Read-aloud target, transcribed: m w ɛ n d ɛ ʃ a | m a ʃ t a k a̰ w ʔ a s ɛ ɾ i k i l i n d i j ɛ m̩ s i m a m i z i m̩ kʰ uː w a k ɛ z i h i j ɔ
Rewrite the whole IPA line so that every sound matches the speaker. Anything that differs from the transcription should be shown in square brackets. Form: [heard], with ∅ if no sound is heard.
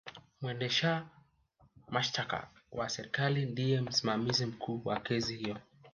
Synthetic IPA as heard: m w ɛ n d ɛ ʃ a | m a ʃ t a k a̰ w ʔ a s ɛ ɾ i k [a] l i n d i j ɛ m̩ s i m a m i z i m̩ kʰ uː w a k ɛ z i h i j ɔ